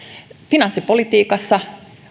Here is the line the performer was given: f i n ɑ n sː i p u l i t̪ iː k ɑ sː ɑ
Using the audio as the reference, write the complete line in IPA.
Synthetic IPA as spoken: f i n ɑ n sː i p o l i t̪ iː k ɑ sː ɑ